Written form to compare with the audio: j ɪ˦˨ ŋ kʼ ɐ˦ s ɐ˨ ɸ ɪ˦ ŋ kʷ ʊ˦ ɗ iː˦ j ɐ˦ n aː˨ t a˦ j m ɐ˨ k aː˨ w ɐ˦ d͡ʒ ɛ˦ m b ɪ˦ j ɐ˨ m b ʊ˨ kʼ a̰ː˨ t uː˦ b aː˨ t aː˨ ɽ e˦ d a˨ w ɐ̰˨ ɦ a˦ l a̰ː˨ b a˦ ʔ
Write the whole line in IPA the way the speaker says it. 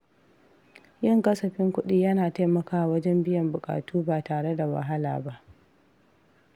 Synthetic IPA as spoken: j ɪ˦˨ ŋ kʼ ɐ˦ s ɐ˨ ɸ ɪ˦ ŋ kʷ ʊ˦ ɗ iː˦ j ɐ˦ n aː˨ t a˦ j m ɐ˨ k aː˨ w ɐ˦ d͡ʒ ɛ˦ m b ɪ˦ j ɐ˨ m b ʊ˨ kʼ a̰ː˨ t uː˦ b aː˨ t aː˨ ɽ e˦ d a˨ w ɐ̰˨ ɦ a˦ l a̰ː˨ b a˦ ʔ